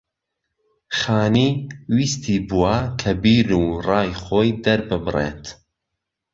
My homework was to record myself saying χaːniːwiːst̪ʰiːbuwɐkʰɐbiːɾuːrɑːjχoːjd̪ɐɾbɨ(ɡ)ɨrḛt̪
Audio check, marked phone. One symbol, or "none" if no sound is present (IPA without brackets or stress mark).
b